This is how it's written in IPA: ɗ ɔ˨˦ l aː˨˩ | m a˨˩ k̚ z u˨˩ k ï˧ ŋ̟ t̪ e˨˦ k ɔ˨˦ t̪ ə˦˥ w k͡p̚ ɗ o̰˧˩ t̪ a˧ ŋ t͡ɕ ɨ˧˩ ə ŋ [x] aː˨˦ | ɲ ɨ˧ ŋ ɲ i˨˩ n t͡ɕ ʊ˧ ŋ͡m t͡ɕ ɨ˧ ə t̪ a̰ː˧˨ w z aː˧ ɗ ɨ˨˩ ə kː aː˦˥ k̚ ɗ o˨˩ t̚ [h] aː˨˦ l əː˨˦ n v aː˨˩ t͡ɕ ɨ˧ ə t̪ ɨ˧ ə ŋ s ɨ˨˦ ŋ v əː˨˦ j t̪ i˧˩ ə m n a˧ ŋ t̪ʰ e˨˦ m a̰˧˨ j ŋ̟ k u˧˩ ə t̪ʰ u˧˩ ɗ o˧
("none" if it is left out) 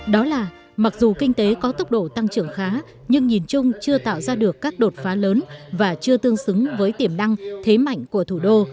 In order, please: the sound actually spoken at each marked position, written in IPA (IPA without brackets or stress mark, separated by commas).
x, f